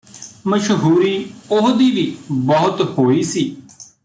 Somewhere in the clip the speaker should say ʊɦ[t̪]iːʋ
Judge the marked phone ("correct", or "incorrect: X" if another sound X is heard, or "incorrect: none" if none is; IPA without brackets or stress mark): incorrect: d̪